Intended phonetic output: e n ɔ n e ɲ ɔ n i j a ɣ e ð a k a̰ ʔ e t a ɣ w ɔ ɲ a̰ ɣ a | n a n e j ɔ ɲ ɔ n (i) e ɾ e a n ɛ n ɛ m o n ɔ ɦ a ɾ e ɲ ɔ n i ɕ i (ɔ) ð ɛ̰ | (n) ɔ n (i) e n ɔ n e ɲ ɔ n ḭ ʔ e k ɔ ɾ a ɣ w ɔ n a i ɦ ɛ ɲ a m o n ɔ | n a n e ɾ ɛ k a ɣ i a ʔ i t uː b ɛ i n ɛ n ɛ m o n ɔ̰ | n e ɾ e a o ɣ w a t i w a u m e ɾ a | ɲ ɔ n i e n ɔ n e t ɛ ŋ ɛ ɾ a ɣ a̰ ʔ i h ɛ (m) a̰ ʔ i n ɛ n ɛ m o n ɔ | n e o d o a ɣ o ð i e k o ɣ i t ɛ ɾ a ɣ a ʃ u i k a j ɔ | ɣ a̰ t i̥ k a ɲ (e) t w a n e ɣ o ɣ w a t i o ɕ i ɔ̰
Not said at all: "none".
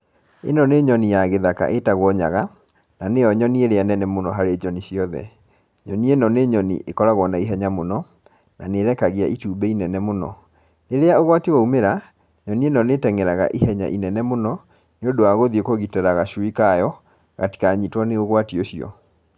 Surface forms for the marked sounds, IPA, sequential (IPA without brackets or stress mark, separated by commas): i, ɔ, ɲ, i, ɲ, i